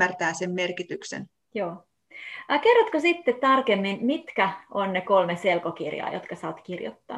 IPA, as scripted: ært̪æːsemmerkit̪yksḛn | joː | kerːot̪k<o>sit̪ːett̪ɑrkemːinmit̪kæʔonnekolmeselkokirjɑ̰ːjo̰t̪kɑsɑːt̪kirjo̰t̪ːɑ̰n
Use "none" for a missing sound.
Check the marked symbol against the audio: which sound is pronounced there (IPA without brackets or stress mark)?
o